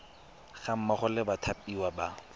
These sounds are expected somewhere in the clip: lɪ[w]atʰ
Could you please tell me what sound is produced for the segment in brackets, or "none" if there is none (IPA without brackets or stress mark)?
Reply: b